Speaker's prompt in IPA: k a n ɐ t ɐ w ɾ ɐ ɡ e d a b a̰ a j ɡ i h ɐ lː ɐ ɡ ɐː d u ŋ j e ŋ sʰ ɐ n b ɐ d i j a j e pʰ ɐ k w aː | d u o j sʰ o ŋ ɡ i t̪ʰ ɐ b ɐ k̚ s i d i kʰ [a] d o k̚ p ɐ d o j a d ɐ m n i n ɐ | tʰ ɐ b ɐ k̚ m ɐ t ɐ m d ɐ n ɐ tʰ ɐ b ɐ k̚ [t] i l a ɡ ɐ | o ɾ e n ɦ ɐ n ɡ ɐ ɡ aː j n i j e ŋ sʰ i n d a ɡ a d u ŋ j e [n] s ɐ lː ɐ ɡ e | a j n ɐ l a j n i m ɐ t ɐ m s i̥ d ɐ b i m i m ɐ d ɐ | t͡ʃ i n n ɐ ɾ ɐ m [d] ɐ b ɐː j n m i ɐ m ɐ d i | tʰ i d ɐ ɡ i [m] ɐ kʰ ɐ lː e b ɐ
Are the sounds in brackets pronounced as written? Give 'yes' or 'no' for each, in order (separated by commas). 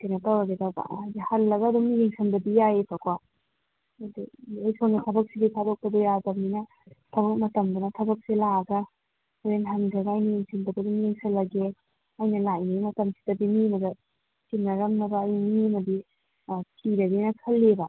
yes, no, no, no, no